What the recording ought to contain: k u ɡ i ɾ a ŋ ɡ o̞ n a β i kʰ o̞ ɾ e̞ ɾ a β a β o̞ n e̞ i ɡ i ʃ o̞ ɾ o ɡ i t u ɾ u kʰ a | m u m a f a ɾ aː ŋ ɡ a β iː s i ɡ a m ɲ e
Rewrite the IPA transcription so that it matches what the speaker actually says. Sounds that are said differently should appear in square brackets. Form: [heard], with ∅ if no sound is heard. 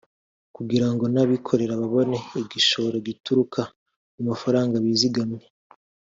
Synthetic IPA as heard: k u ɡ i ɾ a ŋ ɡ o̞ n a β i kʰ o̞ ɾ e̞ ɾ a β a β o̞ n e̞ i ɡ i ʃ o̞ ɾ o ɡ i t u ɾ u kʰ a | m u m a f a ɾ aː ŋ ɡ a β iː [z] i ɡ a m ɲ e